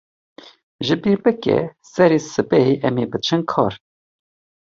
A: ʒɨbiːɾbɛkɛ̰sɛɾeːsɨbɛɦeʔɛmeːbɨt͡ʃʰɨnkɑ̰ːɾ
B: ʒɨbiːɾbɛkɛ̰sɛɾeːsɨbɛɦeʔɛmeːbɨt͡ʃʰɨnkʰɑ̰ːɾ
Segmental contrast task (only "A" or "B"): B